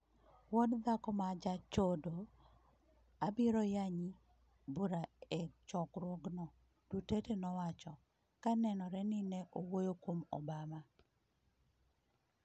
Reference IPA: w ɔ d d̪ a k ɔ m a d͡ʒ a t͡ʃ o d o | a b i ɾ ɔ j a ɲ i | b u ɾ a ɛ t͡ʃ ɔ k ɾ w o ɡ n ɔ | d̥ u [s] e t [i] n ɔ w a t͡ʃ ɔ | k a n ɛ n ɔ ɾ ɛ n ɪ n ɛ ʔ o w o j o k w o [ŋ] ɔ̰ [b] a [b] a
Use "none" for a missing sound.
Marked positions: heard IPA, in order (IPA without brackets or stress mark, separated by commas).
t, e, m, b, m